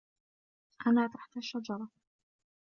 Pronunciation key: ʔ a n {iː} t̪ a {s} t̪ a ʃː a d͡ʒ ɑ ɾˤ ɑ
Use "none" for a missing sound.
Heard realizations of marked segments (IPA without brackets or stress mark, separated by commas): aː, ħ